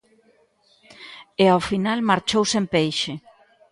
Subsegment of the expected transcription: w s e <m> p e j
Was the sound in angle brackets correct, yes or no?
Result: yes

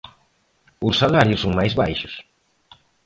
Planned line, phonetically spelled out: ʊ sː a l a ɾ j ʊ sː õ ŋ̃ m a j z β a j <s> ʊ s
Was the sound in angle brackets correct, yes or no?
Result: no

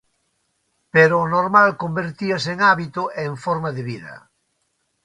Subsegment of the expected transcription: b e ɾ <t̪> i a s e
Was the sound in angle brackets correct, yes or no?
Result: yes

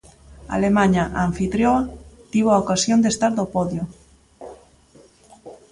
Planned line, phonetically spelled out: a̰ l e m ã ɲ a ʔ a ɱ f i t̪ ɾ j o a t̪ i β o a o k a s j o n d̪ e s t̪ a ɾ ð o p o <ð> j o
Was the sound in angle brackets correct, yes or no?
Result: yes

